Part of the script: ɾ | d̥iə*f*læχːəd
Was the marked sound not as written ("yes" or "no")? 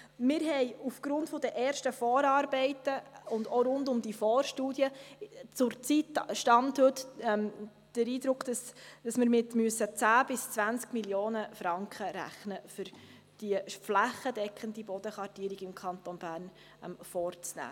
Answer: no